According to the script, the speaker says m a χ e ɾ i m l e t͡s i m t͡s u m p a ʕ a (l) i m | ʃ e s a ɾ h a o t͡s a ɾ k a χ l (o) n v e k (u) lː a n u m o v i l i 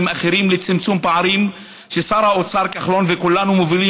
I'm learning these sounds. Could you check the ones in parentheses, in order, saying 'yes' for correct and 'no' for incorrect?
no, yes, yes

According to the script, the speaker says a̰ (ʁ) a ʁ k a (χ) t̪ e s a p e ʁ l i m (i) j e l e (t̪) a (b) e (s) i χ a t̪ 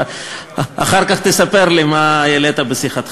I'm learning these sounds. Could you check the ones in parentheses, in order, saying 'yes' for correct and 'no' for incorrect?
no, yes, no, yes, yes, yes

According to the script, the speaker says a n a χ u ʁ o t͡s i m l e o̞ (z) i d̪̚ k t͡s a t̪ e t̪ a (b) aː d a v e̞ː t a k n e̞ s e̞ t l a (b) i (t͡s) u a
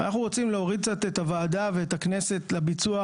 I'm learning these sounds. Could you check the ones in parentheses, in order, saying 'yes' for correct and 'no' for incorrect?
no, no, yes, yes

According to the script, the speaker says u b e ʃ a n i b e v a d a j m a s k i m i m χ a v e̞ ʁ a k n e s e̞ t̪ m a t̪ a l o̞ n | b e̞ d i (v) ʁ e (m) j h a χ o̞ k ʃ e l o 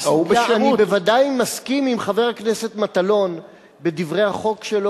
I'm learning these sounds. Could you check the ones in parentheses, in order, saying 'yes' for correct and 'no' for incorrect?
yes, no

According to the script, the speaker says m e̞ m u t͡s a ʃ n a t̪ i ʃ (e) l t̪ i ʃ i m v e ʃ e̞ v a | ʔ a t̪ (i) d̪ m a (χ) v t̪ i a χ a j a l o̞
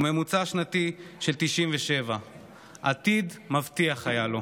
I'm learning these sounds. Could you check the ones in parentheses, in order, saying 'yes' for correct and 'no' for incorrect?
yes, yes, no

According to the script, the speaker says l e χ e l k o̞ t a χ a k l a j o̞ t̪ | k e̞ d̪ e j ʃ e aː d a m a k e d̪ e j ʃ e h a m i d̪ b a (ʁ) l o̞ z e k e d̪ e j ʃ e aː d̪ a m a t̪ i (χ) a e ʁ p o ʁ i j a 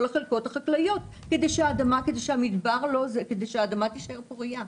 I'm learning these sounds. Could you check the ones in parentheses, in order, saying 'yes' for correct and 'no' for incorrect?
yes, no

